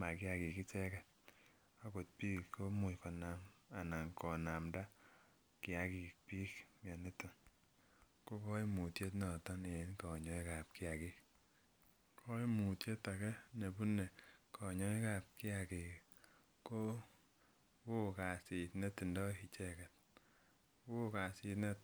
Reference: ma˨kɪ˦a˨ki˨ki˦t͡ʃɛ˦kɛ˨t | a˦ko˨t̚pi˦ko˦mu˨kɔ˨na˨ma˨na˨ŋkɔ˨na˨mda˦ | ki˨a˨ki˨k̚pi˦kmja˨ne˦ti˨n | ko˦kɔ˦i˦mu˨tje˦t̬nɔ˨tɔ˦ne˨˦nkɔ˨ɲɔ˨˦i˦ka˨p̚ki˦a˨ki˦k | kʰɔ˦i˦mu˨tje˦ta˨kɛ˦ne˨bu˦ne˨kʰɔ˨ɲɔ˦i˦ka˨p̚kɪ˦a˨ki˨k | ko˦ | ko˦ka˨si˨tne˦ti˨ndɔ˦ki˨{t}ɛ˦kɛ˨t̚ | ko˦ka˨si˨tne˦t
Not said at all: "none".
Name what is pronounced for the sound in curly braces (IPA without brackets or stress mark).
t͡ʃ